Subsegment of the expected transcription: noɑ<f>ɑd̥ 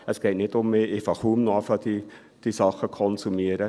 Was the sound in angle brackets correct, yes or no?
yes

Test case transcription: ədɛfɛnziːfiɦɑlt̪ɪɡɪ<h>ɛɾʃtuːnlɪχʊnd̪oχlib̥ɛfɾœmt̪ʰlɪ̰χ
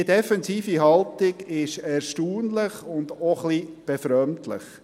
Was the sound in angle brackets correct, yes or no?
no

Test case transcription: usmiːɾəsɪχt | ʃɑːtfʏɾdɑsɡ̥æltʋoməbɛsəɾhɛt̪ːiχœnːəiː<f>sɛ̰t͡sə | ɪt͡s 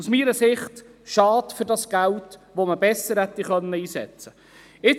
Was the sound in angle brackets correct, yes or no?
no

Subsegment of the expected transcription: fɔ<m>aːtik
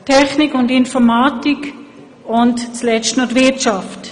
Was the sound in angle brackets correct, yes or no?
yes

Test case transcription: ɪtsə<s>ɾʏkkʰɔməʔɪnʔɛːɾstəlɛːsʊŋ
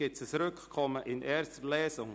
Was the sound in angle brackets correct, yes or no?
yes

